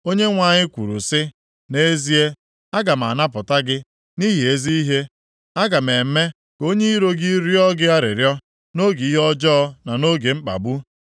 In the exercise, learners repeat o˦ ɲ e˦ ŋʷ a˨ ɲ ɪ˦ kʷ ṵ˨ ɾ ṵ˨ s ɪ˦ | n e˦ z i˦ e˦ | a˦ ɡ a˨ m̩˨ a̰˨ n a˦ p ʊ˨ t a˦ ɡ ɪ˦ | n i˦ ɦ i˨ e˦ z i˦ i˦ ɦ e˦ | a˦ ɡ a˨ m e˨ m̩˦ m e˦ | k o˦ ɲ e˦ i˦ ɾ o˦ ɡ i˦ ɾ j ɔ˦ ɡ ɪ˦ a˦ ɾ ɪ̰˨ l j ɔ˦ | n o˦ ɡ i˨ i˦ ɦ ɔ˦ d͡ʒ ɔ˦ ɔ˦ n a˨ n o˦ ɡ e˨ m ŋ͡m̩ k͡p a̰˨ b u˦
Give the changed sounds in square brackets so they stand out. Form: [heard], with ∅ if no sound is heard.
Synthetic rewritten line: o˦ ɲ e˦ ŋʷ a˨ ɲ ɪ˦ kʷ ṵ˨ ɾ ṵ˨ s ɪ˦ | n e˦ z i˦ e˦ | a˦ ɡ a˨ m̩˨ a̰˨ n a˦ p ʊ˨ t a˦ ɡ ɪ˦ | n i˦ ɦ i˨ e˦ z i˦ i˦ ɦ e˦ | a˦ ɡ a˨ m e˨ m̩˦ m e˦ | k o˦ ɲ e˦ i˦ ɾ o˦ ɡ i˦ ɾ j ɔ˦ ɡ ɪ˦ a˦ ɾ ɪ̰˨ [ɾ] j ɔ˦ | n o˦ ɡ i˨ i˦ ɦ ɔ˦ d͡ʒ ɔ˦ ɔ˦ n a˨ n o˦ ɡ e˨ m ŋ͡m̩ k͡p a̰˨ b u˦

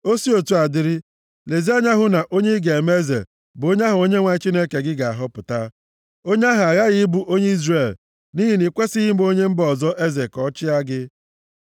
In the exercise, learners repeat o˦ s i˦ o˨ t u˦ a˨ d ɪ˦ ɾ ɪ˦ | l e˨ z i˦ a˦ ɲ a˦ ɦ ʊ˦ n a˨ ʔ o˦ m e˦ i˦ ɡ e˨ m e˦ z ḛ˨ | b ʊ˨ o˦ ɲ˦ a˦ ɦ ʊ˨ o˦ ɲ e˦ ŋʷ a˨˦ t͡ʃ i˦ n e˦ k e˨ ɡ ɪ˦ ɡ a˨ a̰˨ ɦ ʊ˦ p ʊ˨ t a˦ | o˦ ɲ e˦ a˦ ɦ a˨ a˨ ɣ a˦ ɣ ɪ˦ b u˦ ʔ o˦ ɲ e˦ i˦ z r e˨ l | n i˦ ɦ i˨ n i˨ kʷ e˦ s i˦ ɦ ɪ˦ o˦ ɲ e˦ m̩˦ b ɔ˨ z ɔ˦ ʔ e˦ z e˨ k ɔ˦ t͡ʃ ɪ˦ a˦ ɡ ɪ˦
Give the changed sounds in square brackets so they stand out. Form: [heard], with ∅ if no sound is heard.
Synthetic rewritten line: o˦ s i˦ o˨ t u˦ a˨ d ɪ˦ ɾ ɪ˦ | l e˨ z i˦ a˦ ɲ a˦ ɦ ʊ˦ n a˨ ʔ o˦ [ɲ] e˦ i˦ ɡ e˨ m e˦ z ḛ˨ | b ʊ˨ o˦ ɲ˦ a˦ ɦ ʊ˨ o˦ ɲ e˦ ŋʷ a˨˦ t͡ʃ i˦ n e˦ k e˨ ɡ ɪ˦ ɡ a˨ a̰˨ ɦ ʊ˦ p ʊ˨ t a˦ | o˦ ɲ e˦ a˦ ɦ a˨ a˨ ɣ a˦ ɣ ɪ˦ b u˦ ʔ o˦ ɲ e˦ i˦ z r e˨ l | n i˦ ɦ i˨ n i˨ kʷ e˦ s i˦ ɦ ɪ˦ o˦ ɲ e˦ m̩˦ b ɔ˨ z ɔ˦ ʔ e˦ z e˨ k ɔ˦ t͡ʃ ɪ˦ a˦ ɡ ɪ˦

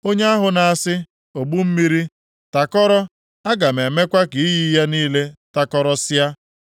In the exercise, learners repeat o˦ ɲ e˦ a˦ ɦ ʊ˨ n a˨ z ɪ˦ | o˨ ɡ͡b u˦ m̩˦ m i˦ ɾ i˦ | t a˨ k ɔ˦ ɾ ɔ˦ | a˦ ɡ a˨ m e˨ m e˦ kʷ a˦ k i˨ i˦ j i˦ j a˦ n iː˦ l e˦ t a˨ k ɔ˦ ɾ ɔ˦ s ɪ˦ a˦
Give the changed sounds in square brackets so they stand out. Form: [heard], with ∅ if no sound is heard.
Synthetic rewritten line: o˦ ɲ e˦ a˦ ɦ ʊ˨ n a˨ [s] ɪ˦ | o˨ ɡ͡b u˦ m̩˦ m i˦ ɾ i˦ | t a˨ k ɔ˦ ɾ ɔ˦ | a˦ ɡ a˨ m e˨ m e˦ kʷ a˦ k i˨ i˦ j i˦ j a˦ n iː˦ l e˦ t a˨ k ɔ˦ ɾ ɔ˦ s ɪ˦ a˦

